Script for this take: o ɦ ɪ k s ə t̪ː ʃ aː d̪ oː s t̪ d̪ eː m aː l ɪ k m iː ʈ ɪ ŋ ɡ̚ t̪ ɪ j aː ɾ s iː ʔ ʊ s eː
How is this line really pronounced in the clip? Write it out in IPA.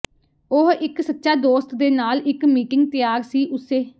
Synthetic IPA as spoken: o ɦ ɪ k s ə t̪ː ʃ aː d̪ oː s t̪ d̪ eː n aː l ɪ k m iː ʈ ɪ ŋ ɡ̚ t̪ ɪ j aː ɾ s iː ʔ ʊ s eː